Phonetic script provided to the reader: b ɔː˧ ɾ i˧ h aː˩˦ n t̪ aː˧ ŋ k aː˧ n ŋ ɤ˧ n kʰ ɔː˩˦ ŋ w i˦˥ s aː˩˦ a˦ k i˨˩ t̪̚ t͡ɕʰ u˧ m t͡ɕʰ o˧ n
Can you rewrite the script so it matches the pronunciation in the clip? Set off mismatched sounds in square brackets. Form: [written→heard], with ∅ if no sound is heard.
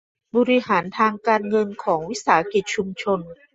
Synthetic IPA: b ɔː˧ ɾ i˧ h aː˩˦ n [t̪→t̪ʰ] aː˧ ŋ k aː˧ n ŋ ɤ˧ n kʰ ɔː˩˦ ŋ w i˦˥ s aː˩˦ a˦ k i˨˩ t̪̚ t͡ɕʰ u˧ m t͡ɕʰ o˧ n